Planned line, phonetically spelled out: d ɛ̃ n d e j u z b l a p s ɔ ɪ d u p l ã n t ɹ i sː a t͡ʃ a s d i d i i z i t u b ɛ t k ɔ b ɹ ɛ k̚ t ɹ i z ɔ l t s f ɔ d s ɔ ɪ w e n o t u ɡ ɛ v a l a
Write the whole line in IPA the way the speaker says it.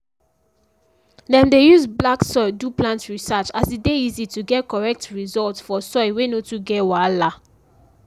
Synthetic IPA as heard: d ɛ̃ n d e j u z b l a k s ɔ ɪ d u p l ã n t ɹ i s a t͡ʃ a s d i d e i z i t u ɡ ɛ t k ɔ ɹ ɛ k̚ t ɹ i z ɔ l t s f ɔ s ɔ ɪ w e n o t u ɡ ɛ w a l a